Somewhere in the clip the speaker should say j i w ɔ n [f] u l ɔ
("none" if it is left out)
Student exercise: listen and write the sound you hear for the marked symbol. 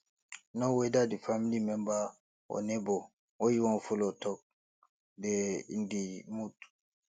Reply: f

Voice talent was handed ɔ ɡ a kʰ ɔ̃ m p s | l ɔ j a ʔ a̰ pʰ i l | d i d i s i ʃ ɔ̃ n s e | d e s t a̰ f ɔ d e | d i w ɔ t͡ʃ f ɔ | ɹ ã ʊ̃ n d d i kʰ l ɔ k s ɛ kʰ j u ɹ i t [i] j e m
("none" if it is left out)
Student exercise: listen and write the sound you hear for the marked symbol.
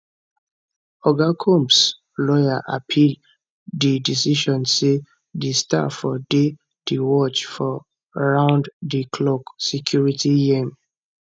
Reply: i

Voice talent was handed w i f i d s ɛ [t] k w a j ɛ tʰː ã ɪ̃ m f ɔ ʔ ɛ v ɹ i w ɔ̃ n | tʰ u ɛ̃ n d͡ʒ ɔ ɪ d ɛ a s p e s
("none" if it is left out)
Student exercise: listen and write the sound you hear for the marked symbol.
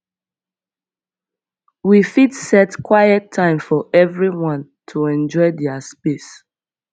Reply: t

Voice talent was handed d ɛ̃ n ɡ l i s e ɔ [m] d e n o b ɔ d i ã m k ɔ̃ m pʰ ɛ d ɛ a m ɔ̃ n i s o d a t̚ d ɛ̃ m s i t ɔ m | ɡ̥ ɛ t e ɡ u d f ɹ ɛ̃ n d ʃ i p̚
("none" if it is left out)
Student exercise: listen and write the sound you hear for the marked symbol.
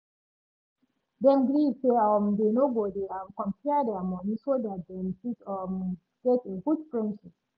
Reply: m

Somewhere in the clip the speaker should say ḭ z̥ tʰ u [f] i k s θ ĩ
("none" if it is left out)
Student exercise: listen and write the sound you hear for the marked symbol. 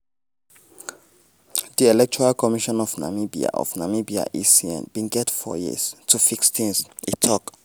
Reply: f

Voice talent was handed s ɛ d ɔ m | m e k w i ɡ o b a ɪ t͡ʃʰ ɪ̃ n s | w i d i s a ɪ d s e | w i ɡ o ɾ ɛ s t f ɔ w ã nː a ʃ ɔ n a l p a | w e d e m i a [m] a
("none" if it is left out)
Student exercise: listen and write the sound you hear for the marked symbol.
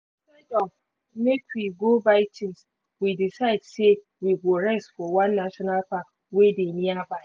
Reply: b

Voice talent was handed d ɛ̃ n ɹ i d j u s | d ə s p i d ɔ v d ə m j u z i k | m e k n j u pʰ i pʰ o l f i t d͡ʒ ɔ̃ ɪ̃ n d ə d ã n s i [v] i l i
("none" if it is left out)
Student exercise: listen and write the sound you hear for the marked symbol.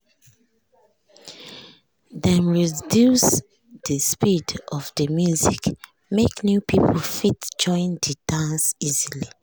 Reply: z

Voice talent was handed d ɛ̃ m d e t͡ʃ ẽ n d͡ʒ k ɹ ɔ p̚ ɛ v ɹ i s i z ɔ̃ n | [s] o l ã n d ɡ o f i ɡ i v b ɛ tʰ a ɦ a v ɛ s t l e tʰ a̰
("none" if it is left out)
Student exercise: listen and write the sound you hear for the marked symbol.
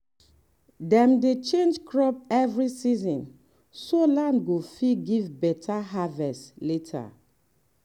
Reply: s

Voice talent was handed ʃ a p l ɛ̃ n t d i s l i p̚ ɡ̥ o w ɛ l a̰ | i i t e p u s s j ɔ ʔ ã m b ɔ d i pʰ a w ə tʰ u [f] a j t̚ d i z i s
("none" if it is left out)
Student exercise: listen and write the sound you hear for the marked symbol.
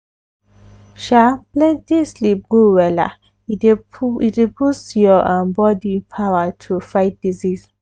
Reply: f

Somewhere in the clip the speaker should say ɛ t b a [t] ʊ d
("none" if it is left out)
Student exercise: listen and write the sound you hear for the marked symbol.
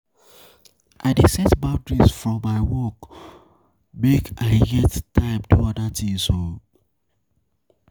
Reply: none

